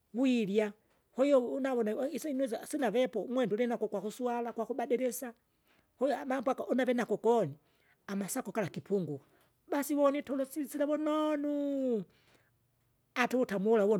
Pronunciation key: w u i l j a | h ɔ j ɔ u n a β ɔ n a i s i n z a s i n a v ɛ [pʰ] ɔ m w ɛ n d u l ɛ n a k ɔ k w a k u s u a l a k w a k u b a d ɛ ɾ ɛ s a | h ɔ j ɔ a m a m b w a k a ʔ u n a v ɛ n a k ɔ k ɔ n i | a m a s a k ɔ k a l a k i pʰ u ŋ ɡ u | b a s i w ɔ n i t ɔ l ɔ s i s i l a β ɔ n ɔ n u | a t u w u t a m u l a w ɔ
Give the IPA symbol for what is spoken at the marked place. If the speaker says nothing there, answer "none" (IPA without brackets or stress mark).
p